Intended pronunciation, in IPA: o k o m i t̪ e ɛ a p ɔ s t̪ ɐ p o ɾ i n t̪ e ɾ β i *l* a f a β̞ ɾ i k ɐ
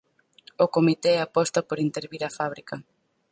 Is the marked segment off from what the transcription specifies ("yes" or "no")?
yes